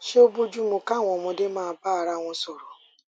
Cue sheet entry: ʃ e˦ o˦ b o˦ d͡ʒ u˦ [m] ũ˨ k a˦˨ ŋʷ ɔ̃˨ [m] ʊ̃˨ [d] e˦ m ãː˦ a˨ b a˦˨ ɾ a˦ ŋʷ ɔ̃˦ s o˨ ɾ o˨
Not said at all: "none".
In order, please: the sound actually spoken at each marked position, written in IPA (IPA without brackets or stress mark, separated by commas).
m, m, d